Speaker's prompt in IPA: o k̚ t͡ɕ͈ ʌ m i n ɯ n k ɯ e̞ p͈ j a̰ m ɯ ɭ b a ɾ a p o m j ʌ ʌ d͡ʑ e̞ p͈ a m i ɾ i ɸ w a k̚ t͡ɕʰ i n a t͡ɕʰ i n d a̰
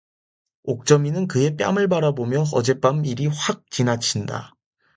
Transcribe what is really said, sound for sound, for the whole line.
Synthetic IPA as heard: o k̚ t͡ɕ͈ ʌ m i n ɯ n k ɯ e̞ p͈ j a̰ m ɯ ɭ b a ɾ a b o m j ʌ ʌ d͡ʑ e̞ p͈ a m i ɾ i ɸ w a k̚ t͡ɕ i n a t͡ɕʰ i n d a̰